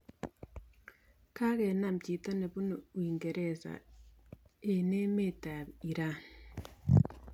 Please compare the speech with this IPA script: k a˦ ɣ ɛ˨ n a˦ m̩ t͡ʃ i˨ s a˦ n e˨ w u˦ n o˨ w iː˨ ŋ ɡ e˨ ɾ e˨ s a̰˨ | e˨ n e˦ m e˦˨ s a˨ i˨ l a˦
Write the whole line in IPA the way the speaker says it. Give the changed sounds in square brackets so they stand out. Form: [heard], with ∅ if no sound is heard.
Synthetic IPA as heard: k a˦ ɣ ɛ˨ n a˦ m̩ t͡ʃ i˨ [t] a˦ n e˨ [β] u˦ n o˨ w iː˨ ŋ ɡ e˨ ɾ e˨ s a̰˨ | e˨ n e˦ m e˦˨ [t] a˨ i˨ [ɾ] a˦

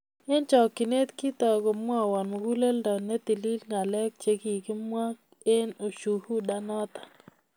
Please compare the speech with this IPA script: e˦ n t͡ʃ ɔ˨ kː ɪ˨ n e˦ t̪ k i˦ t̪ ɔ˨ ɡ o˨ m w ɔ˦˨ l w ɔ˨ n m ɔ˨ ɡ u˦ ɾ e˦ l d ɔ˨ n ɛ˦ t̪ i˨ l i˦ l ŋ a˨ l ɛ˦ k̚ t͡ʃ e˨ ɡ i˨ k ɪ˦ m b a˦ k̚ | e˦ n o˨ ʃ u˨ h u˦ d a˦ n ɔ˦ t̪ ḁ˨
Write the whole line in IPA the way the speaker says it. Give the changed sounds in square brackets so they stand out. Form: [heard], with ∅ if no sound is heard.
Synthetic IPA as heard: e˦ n t͡ʃ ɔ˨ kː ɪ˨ n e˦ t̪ k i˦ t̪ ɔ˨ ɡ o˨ m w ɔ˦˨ [∅] w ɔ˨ n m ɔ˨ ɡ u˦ [l] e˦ l d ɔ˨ n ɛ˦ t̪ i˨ l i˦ l ŋ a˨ l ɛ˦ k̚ t͡ʃ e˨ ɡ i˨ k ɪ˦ m [w] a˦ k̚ | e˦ n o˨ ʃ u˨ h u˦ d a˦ n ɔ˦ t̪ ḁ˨

